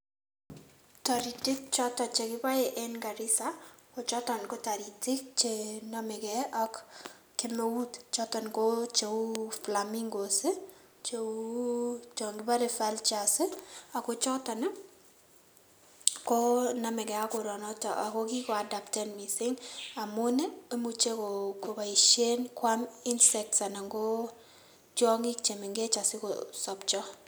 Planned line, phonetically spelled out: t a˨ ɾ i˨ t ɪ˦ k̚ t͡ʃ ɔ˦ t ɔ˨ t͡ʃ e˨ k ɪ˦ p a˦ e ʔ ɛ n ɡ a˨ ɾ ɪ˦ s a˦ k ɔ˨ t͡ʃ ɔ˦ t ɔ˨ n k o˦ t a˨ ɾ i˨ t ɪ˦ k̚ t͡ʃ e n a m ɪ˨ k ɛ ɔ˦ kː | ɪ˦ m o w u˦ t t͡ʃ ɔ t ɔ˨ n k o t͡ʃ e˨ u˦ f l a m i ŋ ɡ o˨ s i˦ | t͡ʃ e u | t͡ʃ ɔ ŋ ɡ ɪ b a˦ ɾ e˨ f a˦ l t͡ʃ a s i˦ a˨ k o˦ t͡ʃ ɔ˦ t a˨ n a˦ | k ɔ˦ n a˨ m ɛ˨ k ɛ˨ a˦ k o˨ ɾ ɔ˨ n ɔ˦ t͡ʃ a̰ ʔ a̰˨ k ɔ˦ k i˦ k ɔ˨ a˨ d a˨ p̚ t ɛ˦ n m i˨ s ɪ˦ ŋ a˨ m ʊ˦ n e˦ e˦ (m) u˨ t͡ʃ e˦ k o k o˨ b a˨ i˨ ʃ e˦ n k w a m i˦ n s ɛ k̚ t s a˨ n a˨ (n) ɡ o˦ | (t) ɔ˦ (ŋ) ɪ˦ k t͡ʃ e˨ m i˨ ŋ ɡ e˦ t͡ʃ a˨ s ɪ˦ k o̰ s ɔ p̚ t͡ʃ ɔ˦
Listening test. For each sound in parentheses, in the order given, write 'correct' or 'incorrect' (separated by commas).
correct, incorrect, incorrect, correct